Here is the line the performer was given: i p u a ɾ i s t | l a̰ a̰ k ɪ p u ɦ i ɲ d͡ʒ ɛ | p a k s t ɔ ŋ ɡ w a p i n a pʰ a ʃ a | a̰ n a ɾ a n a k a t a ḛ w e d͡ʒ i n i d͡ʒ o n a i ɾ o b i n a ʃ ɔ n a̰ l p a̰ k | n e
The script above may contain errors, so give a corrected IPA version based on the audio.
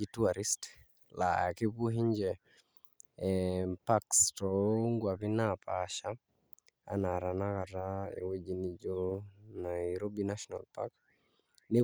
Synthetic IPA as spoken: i t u a ɾ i s t | l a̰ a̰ k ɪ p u ɦ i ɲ d͡ʒ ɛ | p a k s t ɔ ŋ ɡ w a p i n a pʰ a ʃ a | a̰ n a ɾ a n a k a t a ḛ w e d͡ʒ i n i d͡ʒ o n a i ɾ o b i n a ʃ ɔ n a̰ l p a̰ k | n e